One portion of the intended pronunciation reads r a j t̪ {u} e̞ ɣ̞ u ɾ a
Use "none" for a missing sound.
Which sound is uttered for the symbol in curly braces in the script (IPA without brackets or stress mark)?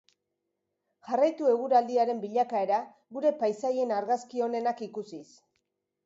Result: u